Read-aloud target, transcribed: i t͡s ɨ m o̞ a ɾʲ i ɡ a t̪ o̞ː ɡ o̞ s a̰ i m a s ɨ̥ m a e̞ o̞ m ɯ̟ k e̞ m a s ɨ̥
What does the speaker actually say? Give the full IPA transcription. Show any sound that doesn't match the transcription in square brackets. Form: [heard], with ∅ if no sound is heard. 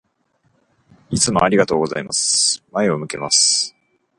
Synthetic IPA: i t͡s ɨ m o̞ a ɾʲ i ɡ a t̪ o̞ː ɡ o̞ [z] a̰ i m a s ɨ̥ m a e̞ o̞ m ɯ̟ k e̞ m a s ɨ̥